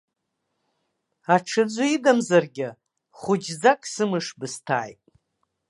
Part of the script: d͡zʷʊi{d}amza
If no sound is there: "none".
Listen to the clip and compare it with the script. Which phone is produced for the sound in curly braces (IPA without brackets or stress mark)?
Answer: d